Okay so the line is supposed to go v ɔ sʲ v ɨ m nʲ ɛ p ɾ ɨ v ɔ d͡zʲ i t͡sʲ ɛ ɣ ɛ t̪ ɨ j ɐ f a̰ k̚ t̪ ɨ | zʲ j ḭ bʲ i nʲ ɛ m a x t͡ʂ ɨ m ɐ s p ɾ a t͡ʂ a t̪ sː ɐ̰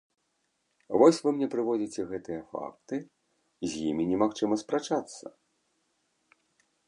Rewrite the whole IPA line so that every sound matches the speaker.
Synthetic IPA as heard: v ɔ sʲ v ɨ m nʲ ɛ p ɾ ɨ v ɔ d͡zʲ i t͡sʲ ɛ ɣ ɛ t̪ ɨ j ɐ f a̰ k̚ t̪ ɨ | zʲ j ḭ mʲ i nʲ ɛ m a x t͡ʂ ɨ m ɐ s p ɾ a t͡ʂ a t̪ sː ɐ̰